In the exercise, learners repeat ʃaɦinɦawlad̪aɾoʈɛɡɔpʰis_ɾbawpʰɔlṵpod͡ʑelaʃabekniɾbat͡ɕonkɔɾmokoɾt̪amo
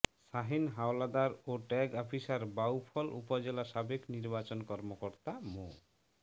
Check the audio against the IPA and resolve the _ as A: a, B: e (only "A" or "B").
A